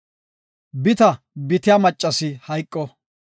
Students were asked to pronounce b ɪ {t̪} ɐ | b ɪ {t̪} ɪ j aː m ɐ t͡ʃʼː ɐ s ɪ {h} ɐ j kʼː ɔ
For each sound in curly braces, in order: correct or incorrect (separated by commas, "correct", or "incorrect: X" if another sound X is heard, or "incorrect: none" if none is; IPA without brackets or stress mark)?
correct, correct, correct